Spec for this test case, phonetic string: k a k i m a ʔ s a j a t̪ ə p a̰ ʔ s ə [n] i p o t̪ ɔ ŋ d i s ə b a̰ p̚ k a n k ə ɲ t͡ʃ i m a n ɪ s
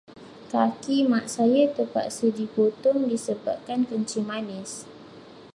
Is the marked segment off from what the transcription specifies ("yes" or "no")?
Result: yes